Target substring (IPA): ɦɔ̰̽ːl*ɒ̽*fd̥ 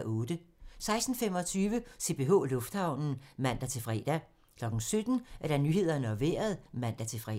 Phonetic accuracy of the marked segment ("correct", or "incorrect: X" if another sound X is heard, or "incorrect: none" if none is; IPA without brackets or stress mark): incorrect: ɔ̽